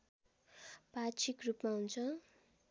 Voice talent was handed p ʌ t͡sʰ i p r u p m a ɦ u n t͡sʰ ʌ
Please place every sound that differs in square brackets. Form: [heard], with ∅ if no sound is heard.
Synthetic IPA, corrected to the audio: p [a] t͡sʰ i [k] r u p m a ɦ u n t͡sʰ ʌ